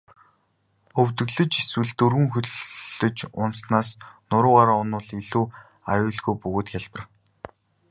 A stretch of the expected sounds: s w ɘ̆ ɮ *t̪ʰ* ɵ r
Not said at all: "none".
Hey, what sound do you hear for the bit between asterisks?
t̪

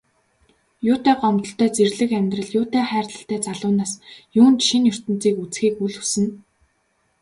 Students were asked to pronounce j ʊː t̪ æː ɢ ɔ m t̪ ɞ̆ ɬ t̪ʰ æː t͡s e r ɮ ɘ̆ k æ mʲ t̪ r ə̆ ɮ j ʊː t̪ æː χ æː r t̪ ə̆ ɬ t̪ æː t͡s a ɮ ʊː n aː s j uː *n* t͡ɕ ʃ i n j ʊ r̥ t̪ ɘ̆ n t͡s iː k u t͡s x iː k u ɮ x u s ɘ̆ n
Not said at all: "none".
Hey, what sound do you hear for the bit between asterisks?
n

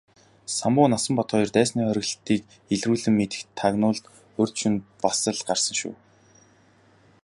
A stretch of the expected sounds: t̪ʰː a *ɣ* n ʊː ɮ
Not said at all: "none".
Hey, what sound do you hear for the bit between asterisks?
ɣ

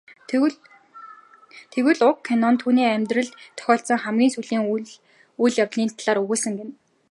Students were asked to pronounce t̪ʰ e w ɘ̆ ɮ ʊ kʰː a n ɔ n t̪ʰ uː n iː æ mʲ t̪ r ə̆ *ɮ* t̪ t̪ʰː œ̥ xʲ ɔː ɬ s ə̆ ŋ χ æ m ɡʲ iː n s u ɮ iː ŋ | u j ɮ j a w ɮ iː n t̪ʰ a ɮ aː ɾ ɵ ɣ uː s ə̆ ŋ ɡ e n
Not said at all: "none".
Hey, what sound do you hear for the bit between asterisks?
ɮ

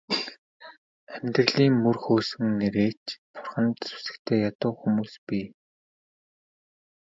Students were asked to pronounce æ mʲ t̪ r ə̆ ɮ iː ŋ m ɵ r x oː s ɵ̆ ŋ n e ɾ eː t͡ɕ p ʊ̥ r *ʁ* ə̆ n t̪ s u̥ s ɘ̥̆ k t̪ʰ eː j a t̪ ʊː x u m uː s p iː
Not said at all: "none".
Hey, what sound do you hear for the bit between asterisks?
χ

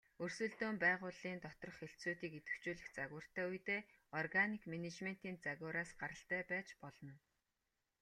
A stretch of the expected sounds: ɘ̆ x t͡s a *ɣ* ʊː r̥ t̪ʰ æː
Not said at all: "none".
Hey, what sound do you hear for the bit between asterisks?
ɣ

